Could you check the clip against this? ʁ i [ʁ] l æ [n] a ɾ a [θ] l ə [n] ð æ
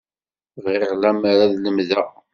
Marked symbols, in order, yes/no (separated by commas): yes, no, no, no